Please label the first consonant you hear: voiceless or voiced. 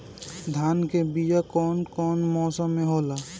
voiced